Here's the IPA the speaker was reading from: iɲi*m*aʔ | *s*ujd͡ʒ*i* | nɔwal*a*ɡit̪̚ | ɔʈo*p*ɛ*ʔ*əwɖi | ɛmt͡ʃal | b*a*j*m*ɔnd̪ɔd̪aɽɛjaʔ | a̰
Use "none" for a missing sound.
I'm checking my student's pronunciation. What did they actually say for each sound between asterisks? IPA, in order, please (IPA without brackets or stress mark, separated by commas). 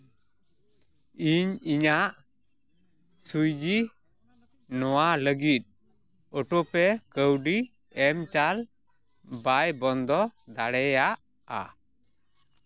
ɲ, s, i, ə, p, k, a, b